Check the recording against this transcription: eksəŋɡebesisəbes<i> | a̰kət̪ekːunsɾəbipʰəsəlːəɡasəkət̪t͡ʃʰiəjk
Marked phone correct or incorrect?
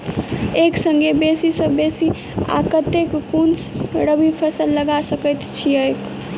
correct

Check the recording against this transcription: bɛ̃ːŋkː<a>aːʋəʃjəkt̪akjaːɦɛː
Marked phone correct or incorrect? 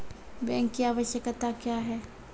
incorrect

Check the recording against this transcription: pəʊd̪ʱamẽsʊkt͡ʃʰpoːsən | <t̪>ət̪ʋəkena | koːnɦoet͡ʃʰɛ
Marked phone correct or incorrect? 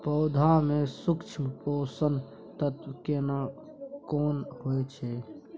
correct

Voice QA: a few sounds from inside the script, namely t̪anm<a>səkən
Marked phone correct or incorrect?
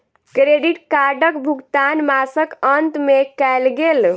correct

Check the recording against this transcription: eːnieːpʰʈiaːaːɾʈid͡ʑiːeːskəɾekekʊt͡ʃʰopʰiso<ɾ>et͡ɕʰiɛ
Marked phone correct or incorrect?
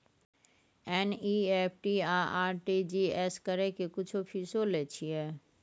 incorrect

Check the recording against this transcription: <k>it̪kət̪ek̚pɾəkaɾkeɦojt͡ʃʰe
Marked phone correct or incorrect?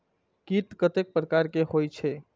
correct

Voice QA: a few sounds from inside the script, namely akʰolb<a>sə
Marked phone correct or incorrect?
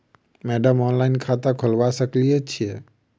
correct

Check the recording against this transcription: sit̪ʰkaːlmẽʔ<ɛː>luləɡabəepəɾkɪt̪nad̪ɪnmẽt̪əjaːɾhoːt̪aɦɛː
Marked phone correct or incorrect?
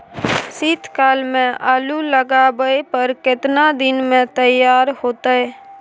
incorrect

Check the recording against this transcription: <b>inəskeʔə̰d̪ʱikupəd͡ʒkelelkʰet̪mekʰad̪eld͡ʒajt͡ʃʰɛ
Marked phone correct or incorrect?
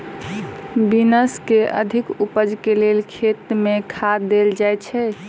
correct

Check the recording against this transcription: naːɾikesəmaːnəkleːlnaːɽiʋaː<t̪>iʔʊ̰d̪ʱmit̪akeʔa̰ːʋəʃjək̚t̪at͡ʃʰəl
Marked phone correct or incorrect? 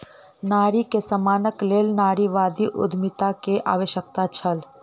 incorrect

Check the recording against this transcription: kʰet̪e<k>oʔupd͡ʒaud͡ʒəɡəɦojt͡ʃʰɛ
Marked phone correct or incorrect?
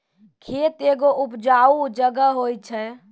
incorrect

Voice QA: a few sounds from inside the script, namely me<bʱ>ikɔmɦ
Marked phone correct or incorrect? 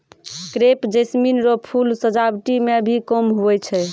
correct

